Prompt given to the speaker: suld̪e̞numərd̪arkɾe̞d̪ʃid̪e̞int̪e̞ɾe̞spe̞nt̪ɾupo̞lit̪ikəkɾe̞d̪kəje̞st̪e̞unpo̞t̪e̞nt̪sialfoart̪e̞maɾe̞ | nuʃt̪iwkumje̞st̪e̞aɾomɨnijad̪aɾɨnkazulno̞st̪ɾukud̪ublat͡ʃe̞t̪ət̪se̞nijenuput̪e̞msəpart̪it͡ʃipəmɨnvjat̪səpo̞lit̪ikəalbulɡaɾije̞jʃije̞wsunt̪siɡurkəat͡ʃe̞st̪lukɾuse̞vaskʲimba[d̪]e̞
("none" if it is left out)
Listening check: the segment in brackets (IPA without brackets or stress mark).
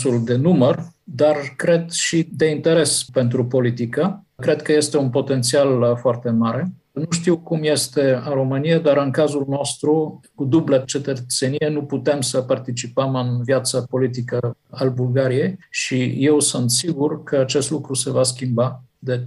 d̪